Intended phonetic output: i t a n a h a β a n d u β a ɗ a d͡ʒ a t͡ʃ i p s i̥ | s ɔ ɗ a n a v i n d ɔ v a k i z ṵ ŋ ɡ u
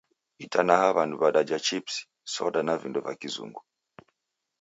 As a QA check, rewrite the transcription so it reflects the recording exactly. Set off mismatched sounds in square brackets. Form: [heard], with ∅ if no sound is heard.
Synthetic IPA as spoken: i t a n a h a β a n d u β a ɗ a d͡ʒ a t͡ʃ i p s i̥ | s ɔ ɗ a n a v i n d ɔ v a k i z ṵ ŋ ɡ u